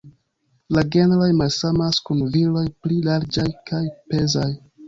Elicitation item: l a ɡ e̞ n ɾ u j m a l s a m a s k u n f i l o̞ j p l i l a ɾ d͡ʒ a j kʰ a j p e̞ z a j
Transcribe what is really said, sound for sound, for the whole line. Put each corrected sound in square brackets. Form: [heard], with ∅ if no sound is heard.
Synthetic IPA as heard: l a ɡ e̞ n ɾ [o] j m a l s a m a s k u n [v] i l o̞ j p l i l a ɾ d͡ʒ a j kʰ a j p e̞ z a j